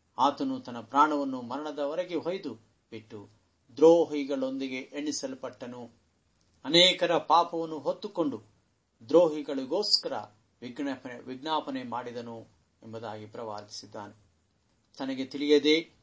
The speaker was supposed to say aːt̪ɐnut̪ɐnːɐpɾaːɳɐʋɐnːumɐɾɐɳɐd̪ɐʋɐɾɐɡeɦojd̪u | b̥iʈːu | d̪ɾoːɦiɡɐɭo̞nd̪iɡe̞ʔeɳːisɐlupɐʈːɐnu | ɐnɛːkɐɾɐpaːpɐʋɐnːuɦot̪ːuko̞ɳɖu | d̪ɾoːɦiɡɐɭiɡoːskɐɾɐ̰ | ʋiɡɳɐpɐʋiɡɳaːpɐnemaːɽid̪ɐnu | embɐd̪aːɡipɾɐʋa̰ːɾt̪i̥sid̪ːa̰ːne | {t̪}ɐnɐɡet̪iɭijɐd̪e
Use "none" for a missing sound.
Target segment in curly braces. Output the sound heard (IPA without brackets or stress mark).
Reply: t̪